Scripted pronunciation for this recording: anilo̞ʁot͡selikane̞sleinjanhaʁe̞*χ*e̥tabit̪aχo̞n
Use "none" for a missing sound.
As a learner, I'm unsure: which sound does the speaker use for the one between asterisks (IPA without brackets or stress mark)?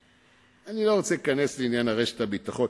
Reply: ʃ